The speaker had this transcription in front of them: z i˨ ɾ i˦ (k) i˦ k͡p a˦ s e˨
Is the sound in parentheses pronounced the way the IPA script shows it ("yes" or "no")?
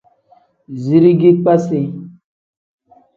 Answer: no